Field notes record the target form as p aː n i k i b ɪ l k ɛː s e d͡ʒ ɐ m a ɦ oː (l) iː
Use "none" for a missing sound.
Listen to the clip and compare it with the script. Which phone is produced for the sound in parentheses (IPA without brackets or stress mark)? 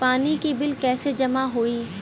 none